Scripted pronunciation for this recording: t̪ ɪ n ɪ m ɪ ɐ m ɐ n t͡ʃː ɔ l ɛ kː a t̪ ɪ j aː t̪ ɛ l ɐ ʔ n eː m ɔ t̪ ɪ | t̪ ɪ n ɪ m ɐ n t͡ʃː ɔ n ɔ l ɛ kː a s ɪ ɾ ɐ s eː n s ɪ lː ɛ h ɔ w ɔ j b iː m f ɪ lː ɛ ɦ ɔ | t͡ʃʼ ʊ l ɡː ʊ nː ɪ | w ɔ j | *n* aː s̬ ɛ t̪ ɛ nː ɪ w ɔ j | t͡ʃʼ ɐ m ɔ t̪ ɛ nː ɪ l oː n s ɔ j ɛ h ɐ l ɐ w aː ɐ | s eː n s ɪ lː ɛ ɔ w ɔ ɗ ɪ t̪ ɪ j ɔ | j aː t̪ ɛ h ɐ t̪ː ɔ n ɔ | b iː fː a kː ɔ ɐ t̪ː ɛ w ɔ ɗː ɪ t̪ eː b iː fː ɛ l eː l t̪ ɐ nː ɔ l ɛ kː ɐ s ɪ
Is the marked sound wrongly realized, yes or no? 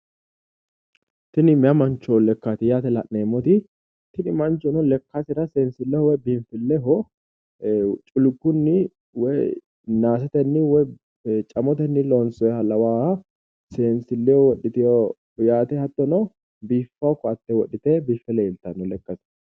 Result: no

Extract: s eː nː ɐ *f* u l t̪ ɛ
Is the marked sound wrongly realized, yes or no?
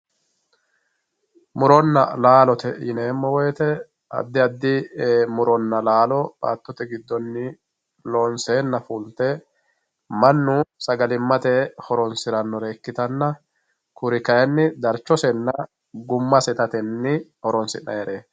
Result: no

